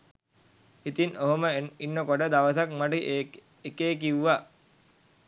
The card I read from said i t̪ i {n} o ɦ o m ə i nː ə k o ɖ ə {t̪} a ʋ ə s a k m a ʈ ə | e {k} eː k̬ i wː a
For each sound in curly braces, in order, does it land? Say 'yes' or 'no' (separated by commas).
yes, no, yes